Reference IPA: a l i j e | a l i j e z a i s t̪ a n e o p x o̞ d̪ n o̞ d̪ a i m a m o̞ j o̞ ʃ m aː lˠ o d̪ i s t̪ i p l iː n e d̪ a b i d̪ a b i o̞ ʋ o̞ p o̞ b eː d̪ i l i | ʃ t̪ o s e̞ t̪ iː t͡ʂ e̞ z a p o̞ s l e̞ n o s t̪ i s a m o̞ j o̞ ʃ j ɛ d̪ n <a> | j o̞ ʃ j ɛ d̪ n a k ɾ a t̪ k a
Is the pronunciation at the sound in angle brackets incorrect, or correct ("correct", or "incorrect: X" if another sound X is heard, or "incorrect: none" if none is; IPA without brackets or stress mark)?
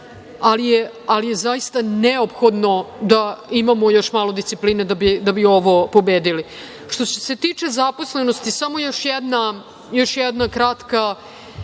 correct